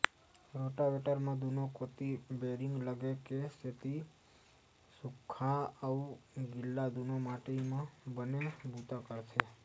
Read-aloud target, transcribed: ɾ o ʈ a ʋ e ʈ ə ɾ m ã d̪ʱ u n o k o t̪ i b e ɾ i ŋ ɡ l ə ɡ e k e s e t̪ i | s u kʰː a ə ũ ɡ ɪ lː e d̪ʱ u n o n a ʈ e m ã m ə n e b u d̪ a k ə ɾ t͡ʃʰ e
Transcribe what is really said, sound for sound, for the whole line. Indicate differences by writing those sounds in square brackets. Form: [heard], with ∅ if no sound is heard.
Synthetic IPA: ɾ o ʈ a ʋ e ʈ ə ɾ m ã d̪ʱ u n o k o t̪ i b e ɾ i ŋ ɡ l ə ɡ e k e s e t̪ i | s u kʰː a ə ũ ɡ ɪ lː [a] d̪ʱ u n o [m] a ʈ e m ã [b] ə n e b u [t̪] a k ə ɾ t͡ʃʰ e